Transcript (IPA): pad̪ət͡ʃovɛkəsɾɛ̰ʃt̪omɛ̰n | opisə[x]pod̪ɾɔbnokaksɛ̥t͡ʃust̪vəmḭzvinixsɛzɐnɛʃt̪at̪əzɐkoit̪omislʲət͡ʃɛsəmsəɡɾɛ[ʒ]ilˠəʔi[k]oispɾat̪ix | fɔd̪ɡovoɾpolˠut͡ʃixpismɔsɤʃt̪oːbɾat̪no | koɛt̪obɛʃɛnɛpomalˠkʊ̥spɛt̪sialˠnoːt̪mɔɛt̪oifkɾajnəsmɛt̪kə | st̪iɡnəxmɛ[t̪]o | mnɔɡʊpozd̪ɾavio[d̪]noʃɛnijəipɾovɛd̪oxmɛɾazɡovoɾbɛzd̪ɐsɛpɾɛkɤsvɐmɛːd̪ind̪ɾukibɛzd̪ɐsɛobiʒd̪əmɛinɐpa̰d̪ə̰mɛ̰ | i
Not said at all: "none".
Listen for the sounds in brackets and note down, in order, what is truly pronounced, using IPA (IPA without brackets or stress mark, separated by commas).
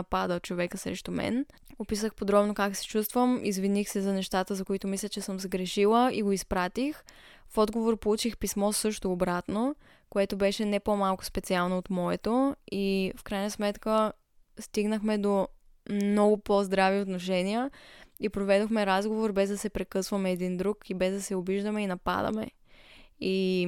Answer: x, ʃ, ɡ, d̪, t̪